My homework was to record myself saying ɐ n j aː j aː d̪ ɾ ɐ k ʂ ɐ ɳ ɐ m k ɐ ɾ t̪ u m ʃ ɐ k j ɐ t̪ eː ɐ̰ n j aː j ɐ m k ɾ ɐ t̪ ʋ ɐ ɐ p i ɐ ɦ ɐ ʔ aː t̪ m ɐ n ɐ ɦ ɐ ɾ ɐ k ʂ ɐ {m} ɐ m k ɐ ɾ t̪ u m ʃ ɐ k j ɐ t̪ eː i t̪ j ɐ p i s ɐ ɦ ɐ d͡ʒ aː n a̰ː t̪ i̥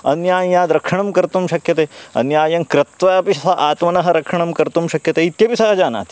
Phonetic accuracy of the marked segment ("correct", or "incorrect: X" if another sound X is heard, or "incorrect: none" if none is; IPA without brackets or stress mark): incorrect: ɳ